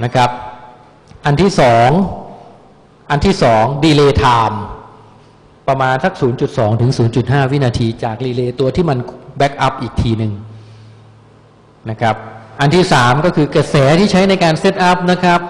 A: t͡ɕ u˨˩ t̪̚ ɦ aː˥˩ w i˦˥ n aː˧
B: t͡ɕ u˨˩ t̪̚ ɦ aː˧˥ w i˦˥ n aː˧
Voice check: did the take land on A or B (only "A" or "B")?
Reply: A